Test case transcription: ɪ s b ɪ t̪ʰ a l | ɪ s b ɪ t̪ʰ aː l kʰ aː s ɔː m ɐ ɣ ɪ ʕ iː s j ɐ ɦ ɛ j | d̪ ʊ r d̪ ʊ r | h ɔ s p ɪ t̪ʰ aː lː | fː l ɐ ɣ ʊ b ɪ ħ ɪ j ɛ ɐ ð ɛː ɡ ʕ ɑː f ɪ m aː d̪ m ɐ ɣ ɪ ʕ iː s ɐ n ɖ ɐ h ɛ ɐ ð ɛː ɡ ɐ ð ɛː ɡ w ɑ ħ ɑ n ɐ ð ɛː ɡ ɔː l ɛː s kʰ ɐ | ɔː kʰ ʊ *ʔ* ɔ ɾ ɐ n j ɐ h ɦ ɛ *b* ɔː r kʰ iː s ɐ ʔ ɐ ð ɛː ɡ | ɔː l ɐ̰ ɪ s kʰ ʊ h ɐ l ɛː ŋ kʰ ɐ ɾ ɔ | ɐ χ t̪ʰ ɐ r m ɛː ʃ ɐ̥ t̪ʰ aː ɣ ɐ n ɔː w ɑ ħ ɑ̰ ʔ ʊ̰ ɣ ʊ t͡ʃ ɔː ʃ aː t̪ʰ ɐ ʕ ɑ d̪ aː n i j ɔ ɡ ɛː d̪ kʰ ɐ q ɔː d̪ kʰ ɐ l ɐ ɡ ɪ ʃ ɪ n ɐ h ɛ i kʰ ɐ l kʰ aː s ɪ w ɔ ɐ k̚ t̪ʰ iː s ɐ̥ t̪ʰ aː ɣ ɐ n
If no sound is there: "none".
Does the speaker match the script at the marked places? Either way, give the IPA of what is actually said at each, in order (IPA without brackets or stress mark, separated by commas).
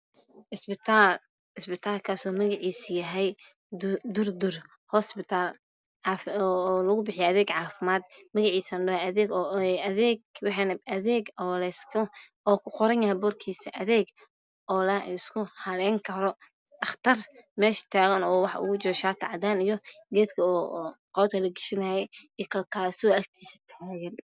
q, b